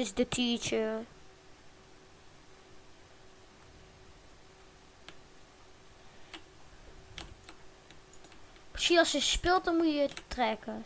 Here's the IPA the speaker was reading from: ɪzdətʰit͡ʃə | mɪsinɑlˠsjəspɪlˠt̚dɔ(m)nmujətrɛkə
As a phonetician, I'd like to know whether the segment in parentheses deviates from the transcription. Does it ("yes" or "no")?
yes